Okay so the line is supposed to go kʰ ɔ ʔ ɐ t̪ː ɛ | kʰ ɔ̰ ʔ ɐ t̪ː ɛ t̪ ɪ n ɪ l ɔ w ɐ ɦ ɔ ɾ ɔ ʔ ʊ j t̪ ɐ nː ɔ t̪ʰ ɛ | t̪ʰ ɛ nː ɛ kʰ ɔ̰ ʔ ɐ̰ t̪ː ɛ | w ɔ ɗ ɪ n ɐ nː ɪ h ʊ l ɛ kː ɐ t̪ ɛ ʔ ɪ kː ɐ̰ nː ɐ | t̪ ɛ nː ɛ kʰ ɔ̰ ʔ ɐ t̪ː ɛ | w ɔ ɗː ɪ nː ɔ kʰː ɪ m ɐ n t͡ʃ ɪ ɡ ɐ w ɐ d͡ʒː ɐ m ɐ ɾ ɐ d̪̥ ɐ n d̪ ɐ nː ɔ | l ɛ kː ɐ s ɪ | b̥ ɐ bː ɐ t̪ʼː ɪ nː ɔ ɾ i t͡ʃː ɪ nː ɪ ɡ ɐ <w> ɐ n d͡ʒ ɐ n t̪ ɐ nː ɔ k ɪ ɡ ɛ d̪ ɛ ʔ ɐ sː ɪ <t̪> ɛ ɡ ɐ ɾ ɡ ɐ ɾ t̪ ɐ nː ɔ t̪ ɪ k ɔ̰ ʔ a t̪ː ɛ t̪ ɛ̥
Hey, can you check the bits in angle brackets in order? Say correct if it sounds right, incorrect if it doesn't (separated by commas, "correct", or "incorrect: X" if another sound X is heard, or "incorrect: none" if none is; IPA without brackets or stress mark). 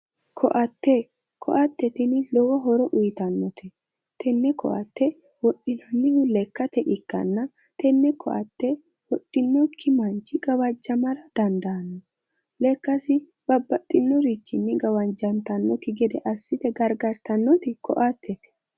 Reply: correct, correct